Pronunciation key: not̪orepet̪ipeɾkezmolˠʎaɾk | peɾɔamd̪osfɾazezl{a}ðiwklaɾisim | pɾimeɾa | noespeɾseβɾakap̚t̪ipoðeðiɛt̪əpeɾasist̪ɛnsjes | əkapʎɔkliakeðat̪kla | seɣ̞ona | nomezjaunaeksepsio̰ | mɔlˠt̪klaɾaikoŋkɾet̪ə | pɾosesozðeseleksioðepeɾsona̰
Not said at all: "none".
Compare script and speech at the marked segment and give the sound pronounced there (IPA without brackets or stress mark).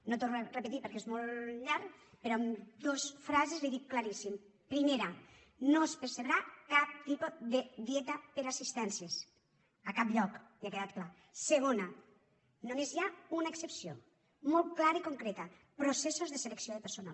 i